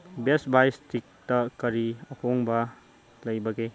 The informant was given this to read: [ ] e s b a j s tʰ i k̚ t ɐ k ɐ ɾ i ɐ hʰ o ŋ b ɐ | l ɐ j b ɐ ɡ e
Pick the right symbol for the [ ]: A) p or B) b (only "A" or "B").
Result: B